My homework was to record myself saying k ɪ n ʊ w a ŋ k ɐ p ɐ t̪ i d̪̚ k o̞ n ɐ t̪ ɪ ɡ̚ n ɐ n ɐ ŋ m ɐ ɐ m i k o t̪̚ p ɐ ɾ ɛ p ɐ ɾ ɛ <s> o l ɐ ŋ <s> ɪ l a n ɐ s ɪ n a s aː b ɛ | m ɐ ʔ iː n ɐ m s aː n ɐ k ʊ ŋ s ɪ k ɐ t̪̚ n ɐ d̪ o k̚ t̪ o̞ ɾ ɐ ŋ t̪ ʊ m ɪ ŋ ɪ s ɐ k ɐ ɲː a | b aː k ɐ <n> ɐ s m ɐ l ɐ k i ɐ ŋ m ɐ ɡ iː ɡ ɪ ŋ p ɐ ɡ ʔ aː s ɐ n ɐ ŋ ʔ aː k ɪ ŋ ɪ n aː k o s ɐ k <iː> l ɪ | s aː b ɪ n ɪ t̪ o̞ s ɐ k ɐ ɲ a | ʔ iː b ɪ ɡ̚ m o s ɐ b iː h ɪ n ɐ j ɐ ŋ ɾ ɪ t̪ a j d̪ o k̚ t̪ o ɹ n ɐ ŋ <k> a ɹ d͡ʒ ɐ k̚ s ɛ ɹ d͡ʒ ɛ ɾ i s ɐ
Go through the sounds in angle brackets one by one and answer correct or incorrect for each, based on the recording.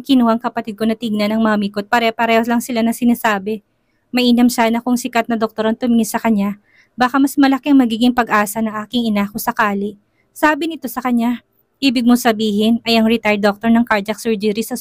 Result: incorrect: h, correct, incorrect: m, incorrect: aː, correct

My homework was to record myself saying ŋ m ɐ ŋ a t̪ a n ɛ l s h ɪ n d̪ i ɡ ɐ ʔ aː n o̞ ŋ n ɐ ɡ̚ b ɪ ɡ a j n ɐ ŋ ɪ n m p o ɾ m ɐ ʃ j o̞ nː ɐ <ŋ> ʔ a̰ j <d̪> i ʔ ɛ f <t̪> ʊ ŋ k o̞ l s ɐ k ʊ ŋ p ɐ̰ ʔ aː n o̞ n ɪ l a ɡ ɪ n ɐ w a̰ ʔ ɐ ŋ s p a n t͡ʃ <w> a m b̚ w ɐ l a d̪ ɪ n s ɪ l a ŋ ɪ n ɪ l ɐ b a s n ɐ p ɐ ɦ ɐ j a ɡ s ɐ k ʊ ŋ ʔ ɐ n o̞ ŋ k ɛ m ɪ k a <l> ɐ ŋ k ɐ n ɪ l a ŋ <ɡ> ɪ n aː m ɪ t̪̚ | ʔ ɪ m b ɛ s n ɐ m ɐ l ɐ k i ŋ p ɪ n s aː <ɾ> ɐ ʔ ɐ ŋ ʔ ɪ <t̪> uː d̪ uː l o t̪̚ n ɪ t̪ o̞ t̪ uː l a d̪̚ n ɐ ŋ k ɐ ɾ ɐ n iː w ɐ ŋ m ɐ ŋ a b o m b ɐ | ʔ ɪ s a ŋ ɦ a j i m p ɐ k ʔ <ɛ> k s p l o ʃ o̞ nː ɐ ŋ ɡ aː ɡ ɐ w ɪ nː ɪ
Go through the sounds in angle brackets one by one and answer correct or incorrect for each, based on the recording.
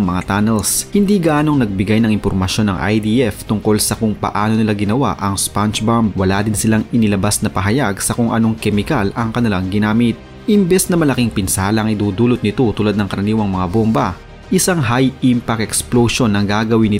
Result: correct, correct, correct, incorrect: b, correct, correct, incorrect: l, incorrect: d̪, correct

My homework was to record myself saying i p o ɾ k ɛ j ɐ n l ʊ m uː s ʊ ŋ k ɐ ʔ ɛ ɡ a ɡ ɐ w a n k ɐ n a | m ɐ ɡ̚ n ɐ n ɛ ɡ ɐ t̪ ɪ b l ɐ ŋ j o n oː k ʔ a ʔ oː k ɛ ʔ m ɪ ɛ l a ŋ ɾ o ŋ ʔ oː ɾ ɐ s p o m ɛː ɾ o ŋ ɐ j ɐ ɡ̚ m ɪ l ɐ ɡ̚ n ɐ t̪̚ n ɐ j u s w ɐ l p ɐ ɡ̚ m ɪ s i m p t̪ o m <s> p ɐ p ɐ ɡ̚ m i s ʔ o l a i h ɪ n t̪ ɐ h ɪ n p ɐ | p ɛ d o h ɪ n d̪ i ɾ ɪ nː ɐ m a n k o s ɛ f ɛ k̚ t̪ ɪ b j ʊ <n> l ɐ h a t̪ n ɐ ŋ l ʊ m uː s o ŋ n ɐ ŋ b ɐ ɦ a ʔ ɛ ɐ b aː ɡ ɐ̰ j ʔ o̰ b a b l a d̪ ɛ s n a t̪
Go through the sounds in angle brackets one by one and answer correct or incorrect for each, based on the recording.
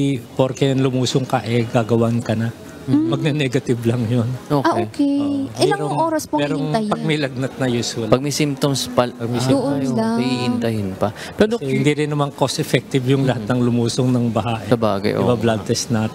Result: correct, incorrect: ŋ

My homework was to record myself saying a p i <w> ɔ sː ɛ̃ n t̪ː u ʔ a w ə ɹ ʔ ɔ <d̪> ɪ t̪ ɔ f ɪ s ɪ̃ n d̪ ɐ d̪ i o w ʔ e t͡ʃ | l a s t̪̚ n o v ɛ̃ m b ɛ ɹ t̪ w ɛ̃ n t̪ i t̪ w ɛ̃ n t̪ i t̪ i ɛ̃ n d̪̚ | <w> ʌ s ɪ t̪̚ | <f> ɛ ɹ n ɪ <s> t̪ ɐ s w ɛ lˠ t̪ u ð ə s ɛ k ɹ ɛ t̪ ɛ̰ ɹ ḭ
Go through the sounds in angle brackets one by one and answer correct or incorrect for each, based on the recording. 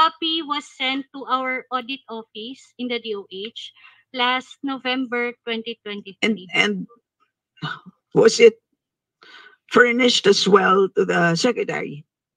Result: correct, correct, correct, correct, incorrect: ʃ

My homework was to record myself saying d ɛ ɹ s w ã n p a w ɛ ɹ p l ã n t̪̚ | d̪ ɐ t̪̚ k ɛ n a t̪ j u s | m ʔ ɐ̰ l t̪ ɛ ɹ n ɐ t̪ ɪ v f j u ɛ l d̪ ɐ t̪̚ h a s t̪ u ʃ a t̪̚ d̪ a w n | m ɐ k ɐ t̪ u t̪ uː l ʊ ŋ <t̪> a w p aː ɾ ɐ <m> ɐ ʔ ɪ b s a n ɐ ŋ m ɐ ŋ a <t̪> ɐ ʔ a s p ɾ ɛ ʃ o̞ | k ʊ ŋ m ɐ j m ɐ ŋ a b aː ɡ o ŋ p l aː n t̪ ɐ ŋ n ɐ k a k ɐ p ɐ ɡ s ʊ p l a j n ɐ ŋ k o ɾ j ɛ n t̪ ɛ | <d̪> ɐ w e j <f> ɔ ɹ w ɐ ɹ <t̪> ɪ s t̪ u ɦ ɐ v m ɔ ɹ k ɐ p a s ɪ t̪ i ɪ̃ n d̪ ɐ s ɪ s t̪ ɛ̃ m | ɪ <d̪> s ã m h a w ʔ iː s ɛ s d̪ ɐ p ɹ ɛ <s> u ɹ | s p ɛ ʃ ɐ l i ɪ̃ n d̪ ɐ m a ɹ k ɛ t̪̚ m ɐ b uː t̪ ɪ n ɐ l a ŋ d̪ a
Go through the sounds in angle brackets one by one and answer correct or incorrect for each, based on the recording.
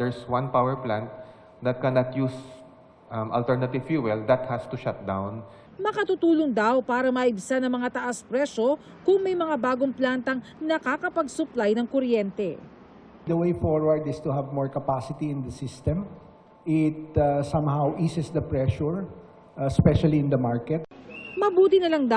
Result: incorrect: d̪, correct, correct, correct, correct, incorrect: d̪, incorrect: t̪, incorrect: ʃ

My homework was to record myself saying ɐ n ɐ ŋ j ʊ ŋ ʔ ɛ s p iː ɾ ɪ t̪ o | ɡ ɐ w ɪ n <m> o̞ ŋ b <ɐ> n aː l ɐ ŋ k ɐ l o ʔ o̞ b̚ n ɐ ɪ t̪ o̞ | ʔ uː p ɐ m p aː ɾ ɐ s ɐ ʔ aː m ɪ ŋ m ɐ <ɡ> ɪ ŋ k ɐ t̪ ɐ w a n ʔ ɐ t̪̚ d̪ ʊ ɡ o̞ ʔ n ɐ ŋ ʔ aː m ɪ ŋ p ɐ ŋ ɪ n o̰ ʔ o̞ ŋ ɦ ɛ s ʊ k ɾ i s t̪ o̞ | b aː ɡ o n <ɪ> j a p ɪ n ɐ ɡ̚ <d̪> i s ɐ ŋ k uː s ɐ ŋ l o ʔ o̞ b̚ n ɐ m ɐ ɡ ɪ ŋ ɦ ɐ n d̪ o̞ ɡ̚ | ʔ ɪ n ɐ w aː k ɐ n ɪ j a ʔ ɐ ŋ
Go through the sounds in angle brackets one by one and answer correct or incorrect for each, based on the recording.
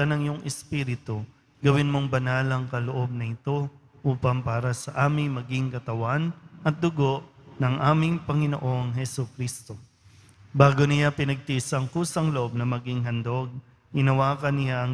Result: correct, correct, correct, correct, incorrect: t̪

